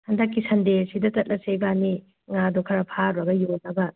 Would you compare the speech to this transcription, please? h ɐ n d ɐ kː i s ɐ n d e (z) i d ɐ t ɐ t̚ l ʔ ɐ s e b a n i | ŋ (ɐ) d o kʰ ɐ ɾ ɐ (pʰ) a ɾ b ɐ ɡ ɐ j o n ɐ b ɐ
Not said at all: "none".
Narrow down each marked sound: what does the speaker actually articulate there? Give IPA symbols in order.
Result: s, a, pʰ

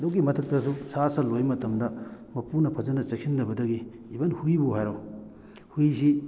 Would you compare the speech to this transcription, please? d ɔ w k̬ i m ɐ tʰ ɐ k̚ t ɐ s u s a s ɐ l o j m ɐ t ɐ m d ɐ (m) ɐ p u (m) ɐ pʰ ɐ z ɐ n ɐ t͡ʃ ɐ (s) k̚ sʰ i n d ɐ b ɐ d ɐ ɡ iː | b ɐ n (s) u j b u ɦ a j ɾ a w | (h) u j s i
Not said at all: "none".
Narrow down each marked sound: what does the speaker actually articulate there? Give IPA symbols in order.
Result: m, n, none, h, h

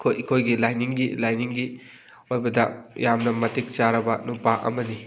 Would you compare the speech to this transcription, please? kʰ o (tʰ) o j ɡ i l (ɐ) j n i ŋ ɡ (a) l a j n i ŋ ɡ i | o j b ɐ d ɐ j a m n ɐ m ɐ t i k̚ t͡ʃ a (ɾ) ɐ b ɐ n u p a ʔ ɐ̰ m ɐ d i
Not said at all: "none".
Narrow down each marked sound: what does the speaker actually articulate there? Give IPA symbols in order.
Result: kʰ, a, i, ɾ

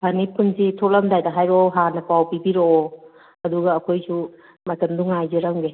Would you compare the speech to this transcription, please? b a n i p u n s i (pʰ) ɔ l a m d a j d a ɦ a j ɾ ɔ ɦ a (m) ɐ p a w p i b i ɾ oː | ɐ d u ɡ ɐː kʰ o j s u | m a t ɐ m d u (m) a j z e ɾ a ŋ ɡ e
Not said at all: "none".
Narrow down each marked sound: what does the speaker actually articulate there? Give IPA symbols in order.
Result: tʰ, n, ŋ

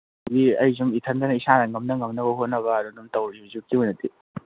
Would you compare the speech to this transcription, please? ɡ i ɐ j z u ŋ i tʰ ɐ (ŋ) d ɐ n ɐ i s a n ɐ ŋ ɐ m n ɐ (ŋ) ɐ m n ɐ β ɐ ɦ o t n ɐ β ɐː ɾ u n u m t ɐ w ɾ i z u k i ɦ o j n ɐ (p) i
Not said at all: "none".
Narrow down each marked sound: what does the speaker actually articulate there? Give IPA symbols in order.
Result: n, ŋ, t

